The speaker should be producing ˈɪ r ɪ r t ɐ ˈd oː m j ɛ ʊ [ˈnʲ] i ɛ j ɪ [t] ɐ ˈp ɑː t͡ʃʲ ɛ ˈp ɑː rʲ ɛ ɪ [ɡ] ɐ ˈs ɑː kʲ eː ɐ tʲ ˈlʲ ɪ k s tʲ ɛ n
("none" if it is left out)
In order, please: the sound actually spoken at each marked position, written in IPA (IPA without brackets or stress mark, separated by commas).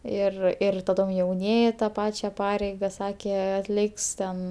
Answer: nʲ, t, ɡ